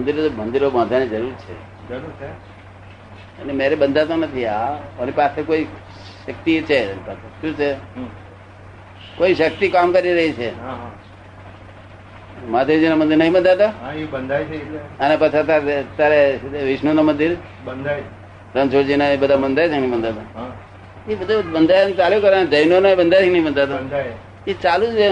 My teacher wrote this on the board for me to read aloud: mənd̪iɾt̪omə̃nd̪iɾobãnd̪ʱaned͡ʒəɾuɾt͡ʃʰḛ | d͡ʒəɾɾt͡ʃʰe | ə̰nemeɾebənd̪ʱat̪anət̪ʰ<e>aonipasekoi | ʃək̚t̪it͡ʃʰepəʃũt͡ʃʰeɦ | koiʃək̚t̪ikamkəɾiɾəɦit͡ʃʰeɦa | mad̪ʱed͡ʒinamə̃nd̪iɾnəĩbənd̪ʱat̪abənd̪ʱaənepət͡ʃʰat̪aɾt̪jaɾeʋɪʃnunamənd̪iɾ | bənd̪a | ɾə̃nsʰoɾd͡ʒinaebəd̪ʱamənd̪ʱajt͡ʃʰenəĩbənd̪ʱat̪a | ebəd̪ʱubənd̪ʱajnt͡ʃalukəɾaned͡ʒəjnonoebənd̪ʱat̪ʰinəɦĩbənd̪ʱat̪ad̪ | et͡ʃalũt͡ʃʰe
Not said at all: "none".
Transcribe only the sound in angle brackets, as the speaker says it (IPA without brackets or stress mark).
i